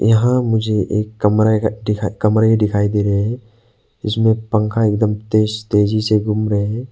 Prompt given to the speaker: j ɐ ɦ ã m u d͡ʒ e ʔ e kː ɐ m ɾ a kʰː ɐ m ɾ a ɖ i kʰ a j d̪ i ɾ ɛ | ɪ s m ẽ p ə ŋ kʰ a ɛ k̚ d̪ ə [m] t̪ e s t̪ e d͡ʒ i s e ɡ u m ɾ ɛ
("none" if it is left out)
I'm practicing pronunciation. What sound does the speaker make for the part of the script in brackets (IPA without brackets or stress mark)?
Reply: m